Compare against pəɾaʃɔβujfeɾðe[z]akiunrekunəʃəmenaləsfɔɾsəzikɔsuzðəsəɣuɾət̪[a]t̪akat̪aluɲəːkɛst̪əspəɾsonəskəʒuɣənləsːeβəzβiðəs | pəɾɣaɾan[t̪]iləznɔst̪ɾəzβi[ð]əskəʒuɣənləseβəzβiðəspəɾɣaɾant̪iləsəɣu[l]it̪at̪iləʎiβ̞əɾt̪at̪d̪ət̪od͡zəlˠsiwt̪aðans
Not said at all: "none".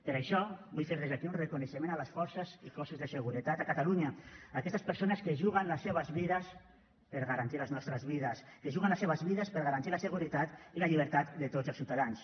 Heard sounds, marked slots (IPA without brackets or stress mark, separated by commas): z, a, t̪, ð, ɾ